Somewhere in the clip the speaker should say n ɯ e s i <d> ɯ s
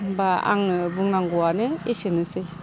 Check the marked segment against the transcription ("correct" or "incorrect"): incorrect